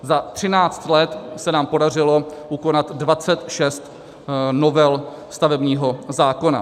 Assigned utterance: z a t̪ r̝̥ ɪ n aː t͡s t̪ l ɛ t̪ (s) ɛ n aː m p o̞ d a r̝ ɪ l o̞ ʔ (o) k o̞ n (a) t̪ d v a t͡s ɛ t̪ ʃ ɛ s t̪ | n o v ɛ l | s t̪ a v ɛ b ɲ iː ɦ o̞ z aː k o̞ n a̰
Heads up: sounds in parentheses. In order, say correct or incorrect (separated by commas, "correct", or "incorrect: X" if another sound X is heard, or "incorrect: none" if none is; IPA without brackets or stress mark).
correct, incorrect: u, correct